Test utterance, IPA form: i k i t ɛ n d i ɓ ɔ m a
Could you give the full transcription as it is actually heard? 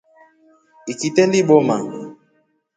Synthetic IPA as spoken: i k i t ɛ n d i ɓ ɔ m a